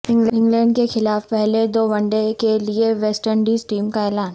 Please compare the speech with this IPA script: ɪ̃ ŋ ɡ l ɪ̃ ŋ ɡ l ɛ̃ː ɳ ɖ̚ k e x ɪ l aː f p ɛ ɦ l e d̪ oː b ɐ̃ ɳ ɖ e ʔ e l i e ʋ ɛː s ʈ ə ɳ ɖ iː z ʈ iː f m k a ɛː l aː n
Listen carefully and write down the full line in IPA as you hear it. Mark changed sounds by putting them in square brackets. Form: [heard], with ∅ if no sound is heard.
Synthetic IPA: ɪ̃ ŋ ɡ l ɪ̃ ŋ ɡ l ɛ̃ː ɳ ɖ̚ k e x ɪ l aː f p ɛ ɦ l e d̪ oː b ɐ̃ ɳ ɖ e [k] e l i e ʋ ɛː s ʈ ə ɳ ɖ iː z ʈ iː [∅] m k a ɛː l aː n